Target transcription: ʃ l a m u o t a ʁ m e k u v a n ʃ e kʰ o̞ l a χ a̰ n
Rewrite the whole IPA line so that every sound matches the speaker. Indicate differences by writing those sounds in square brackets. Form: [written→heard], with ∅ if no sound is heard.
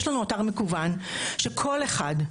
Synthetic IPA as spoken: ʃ l a [m→n] u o t a ʁ m e k u v a n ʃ e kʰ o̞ l [a→e] χ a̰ [n→d]